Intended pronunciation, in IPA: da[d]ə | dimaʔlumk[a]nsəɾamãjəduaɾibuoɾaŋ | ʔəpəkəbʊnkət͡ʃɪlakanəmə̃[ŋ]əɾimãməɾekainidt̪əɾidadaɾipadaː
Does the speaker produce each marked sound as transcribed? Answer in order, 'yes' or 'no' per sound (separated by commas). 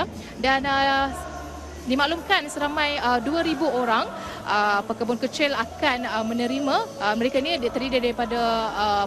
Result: no, yes, no